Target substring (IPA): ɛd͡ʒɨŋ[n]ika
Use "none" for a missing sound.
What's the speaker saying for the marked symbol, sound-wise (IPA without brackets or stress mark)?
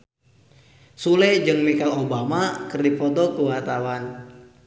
m